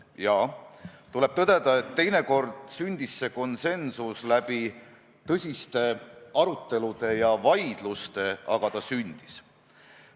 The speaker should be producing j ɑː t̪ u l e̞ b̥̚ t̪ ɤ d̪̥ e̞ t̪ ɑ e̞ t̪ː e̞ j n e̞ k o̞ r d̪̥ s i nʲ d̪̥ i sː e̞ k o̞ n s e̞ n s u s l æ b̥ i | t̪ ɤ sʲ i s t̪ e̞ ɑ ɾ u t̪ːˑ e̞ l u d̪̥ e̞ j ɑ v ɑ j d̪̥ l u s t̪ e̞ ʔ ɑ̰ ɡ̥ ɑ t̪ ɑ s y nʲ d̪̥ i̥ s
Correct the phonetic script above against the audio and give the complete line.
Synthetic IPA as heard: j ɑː t̪ u l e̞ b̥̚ t̪ ɤ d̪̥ e̞ d̪ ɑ e̞ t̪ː e̞ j n e̞ k o̞ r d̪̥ s y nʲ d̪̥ i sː e̞ k o̞ n s e̞ n s u s l æ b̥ i | t̪ ɤ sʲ i s t̪ e̞ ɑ ɾ u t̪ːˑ e̞ l u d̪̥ e̞ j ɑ v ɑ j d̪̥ l u s t̪ e̞ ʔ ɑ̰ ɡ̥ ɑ t̪ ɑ s y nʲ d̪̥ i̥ s